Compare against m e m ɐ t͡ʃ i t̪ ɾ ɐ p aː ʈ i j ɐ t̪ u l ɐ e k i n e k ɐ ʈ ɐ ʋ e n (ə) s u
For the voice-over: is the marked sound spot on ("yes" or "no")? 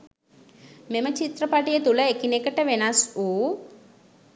no